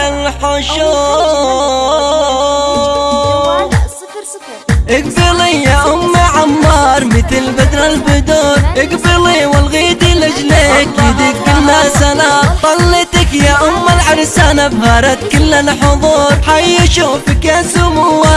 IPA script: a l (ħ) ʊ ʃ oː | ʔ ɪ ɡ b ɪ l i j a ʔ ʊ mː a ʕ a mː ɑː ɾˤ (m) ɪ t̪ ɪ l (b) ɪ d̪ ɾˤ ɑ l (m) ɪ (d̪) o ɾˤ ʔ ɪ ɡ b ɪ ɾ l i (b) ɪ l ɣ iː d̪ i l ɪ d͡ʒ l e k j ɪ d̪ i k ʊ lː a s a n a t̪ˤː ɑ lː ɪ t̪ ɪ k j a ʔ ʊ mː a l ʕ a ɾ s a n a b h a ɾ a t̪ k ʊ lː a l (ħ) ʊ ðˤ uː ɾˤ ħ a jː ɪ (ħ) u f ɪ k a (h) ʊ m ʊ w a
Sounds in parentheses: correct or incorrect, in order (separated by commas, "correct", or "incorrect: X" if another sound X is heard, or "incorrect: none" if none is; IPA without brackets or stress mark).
correct, correct, correct, incorrect: b, correct, incorrect: w, correct, incorrect: ʃ, incorrect: s